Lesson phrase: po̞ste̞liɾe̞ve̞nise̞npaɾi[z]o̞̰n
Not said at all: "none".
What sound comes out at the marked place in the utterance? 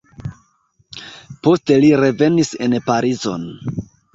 z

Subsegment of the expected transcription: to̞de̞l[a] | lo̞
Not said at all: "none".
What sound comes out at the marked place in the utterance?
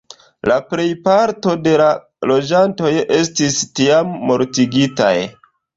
a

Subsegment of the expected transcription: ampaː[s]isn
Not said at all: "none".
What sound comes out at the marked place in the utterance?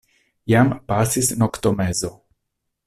s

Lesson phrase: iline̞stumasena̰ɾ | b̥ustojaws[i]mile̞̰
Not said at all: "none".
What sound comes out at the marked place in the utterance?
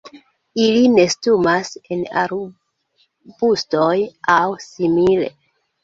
i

